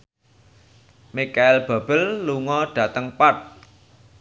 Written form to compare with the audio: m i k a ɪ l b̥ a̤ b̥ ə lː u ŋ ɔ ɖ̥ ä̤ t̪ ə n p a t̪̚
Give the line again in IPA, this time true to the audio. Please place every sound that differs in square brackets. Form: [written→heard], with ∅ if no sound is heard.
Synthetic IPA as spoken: m i k a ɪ l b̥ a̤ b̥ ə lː u ŋ ɔ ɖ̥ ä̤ t̪ ə [n→ŋ] p a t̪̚